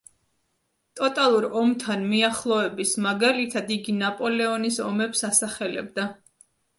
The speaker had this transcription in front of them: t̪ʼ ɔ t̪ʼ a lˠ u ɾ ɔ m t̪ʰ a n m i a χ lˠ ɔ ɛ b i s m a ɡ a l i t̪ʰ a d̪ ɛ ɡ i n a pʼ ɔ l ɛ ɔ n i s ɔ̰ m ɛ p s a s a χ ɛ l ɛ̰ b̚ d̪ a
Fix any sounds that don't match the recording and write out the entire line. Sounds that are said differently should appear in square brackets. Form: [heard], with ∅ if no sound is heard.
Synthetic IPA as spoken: t̪ʼ ɔ t̪ʼ a lˠ u ɾ ɔ m t̪ʰ a n m i a χ lˠ ɔ ɛ b i s m a ɡ a l i t̪ʰ a d̪ [i] ɡ i n a pʼ ɔ l ɛ ɔ n i s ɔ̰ m ɛ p s a s a χ ɛ l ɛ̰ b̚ d̪ a